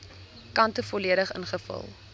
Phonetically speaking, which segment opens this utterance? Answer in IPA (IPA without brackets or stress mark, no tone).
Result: k